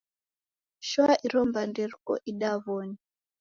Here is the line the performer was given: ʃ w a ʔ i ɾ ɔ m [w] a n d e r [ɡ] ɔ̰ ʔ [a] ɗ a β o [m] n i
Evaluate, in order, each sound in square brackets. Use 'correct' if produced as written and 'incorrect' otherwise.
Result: incorrect: b, incorrect: k, incorrect: i, incorrect: none

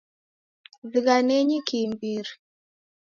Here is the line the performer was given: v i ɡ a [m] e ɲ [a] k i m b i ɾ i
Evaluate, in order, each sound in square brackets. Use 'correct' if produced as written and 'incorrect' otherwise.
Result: incorrect: n, incorrect: i

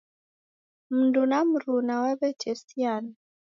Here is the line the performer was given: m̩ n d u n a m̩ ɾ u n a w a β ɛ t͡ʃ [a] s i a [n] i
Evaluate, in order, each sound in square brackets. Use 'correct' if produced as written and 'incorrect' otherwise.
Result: incorrect: ɛ, correct

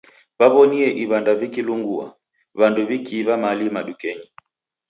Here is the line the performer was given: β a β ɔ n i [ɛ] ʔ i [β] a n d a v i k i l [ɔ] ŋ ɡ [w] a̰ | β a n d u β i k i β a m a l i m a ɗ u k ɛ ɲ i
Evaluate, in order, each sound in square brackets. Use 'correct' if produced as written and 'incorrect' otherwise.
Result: correct, correct, incorrect: u, incorrect: u

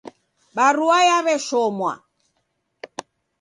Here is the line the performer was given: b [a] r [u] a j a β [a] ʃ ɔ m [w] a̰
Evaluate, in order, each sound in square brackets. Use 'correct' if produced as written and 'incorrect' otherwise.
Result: correct, correct, incorrect: ɛ, correct

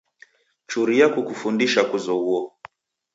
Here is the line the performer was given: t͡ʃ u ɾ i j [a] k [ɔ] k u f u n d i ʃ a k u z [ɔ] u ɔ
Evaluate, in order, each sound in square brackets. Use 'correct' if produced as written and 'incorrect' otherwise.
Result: correct, incorrect: u, correct

